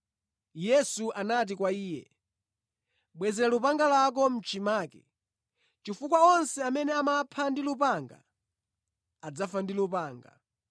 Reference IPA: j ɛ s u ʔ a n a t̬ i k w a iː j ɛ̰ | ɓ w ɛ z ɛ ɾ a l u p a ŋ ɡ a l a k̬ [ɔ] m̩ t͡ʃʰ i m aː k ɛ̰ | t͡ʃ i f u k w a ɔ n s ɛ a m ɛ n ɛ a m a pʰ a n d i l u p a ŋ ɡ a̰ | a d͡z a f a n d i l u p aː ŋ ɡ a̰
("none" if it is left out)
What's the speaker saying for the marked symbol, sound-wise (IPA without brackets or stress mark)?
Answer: ɔ